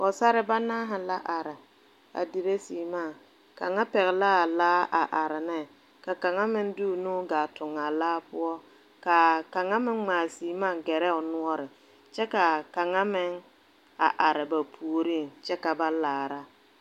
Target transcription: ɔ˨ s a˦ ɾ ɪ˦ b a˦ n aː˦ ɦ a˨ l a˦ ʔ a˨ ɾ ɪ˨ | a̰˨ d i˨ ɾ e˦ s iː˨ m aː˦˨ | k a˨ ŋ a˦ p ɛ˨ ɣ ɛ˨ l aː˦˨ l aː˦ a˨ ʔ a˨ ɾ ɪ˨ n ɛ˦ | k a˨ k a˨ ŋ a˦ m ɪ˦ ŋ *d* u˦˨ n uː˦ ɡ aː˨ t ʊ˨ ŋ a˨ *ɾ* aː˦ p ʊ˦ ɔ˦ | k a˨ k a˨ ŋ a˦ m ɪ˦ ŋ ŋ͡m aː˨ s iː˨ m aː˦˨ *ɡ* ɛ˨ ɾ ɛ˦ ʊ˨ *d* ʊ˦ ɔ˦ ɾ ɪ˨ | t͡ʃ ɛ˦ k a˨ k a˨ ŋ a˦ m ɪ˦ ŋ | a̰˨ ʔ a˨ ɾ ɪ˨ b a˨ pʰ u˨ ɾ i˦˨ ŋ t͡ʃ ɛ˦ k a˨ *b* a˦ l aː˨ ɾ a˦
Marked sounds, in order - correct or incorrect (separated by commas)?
correct, incorrect, correct, incorrect, correct